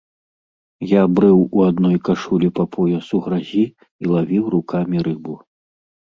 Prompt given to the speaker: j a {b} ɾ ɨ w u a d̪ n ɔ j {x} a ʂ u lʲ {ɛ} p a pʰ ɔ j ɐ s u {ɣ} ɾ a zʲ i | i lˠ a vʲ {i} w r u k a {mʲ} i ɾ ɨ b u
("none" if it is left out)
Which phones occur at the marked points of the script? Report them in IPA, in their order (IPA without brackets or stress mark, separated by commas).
b, k, i, ɣ, i, mʲ